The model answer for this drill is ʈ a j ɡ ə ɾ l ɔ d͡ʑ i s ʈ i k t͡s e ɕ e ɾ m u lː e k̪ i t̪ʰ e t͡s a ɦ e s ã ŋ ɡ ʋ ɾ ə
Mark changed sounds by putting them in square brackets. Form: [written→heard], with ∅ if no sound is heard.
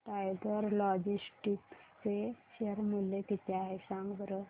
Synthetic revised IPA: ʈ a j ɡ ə ɾ l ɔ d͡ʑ i s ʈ i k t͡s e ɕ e ɾ m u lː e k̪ i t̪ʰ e [t͡s→∅] a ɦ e s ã ŋ ɡ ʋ ɾ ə